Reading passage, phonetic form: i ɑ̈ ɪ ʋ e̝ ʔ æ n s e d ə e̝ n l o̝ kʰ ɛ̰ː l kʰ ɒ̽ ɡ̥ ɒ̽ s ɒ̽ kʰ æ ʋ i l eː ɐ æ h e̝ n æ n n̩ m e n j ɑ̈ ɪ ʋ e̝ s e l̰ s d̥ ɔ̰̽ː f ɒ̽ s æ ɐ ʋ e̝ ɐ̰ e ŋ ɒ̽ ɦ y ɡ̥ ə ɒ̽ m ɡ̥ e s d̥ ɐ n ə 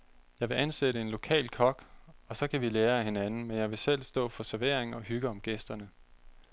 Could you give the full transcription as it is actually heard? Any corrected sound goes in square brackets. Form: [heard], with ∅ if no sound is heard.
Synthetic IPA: [j] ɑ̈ ɪ ʋ e̝ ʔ æ n s e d ə e̝ n l o̝ kʰ ɛ̰ː l kʰ ɒ̽ ɡ̥ ɒ̽ s ɒ̽ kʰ æ ʋ i l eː ɐ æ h e̝ n æ n n̩ m e n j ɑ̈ ɪ ʋ e̝ s e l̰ s d̥ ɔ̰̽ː f ɒ̽ s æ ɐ ʋ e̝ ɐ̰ e ŋ ɒ̽ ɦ y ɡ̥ ə ɒ̽ m ɡ̥ e s d̥ ɐ n ə